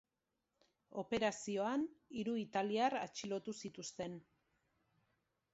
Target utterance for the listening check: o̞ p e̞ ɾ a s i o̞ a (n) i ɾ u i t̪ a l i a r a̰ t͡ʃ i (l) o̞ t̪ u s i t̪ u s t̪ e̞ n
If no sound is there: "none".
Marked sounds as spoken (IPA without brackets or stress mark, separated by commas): n, l